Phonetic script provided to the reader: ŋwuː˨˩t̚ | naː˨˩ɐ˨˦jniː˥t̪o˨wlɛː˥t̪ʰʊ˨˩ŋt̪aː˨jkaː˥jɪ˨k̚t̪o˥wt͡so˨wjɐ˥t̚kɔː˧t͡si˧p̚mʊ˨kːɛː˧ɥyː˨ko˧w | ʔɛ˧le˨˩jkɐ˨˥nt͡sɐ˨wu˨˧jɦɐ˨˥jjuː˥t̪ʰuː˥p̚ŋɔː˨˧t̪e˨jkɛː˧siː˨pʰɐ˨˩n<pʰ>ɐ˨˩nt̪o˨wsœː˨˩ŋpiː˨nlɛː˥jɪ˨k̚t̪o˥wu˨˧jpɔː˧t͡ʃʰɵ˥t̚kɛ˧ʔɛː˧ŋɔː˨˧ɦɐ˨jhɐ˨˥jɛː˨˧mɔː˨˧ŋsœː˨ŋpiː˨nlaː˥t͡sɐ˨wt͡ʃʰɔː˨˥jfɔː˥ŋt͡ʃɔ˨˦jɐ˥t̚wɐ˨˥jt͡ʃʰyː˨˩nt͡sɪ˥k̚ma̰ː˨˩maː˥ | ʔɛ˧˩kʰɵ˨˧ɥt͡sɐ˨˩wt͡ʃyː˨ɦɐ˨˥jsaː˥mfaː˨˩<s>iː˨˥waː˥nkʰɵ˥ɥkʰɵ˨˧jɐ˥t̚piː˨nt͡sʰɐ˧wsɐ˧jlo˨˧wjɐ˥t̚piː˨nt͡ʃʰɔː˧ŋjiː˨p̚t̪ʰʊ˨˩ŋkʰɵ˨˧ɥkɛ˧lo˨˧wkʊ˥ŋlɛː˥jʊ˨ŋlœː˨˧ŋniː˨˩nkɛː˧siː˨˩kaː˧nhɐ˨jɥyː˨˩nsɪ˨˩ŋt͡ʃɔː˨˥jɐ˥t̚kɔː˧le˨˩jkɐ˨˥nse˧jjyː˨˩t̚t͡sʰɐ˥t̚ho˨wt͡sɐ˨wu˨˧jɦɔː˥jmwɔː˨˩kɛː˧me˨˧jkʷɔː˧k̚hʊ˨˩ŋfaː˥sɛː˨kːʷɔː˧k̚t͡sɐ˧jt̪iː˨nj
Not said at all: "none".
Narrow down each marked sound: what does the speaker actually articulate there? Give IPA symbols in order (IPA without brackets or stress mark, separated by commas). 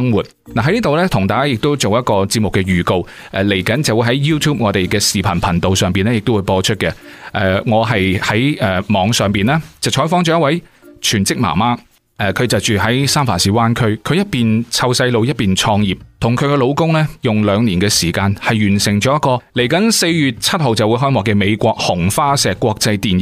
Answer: pʰ, s